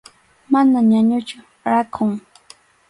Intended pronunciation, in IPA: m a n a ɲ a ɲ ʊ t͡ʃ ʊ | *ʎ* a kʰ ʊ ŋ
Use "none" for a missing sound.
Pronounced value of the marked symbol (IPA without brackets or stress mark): ɾ